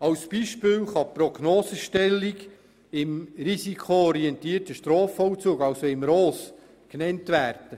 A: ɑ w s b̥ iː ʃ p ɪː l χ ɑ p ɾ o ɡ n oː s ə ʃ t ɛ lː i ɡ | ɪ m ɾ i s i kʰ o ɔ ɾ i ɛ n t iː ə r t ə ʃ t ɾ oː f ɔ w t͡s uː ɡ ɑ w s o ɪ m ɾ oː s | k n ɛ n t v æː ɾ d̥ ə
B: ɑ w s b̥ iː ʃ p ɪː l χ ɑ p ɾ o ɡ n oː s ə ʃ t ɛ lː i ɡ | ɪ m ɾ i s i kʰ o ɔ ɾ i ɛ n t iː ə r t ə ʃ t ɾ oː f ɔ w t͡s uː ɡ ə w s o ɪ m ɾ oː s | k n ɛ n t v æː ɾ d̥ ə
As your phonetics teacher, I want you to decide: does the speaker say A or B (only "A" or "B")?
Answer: A